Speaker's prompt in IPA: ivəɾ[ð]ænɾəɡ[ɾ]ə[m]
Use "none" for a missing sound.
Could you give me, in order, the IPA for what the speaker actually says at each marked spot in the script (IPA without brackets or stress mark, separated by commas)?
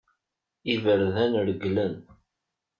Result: ð, l, n